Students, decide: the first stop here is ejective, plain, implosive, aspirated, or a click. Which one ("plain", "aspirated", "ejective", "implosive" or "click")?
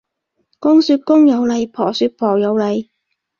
plain